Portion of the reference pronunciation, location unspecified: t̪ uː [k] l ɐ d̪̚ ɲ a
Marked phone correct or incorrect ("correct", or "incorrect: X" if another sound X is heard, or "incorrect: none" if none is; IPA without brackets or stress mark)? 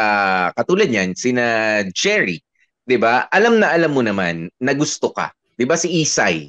incorrect: none